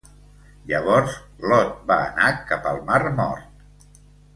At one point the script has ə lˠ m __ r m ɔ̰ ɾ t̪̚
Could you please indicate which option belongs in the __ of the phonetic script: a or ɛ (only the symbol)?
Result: a